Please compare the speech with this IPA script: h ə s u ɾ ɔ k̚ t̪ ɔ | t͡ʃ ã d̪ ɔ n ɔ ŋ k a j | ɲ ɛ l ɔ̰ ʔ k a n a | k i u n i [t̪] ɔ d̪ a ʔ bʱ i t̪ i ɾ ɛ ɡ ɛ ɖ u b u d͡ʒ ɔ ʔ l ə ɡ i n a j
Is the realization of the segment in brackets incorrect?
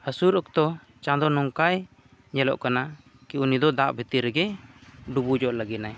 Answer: yes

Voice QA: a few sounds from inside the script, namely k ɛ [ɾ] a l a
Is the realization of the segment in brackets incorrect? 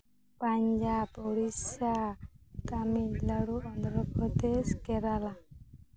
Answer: no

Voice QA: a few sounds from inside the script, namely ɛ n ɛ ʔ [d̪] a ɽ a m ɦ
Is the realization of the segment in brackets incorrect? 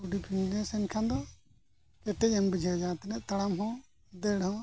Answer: yes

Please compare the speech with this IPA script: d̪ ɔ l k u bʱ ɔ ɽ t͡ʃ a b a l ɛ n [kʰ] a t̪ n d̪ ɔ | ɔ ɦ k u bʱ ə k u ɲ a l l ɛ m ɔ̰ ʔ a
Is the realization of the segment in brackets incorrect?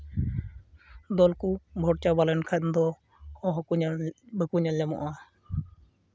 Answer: no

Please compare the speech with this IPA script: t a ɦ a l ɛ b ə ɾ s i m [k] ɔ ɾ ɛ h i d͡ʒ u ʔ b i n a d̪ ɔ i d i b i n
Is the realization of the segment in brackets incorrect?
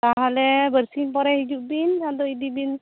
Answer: yes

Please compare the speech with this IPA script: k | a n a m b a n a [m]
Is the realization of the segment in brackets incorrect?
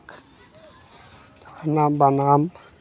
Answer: no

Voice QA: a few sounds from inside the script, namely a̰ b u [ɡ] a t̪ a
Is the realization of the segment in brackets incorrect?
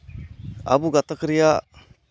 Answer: no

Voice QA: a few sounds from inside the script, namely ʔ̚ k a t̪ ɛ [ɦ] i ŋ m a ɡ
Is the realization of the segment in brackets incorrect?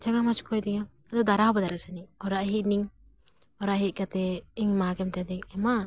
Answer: yes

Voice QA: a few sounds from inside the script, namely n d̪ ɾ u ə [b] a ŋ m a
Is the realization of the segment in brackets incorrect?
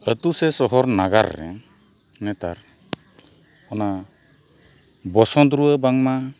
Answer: no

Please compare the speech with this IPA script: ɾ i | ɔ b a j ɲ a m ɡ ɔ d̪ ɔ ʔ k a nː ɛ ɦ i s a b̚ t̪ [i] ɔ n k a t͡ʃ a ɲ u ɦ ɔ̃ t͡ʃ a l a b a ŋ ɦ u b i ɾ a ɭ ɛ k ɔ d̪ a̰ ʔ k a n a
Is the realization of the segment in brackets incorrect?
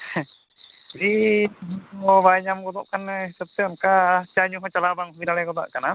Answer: yes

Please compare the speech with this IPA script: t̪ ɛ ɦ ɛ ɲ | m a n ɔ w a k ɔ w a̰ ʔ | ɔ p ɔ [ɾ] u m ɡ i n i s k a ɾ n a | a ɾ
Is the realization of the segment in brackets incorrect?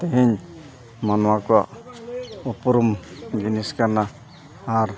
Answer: no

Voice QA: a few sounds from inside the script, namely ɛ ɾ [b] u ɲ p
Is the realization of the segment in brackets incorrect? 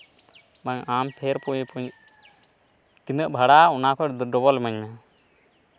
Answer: yes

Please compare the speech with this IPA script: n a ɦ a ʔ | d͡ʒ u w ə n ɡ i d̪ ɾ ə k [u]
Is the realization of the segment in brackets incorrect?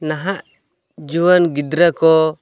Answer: yes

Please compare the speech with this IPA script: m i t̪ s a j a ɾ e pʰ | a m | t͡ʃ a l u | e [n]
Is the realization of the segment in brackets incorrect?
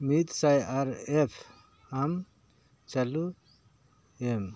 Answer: yes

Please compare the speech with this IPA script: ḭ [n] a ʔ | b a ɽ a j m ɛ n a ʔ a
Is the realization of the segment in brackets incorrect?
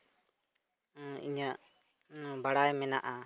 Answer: yes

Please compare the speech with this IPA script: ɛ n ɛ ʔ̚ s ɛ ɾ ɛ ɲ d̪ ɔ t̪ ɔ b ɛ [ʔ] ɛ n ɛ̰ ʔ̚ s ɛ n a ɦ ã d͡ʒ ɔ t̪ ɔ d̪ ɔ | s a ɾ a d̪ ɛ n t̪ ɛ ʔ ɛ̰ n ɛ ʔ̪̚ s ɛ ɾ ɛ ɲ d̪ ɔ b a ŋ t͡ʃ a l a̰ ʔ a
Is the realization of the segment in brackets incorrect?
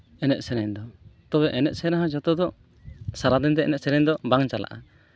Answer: no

